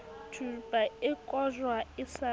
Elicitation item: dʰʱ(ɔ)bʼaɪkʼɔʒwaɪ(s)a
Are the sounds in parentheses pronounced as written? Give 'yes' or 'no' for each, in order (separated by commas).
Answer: no, yes